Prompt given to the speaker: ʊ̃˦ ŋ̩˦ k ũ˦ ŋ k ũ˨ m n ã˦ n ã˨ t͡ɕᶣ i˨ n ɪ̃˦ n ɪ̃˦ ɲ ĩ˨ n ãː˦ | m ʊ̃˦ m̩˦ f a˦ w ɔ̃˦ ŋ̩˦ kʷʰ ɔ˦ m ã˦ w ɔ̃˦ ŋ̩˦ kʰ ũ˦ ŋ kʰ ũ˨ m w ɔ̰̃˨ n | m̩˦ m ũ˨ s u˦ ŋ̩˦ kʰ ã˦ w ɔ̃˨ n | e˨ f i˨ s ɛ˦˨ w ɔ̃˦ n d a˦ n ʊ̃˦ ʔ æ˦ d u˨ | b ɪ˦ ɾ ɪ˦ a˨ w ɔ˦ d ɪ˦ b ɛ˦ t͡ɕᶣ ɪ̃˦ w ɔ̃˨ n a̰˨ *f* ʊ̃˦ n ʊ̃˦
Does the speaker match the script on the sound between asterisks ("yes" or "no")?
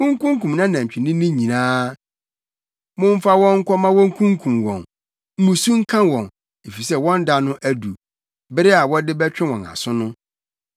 no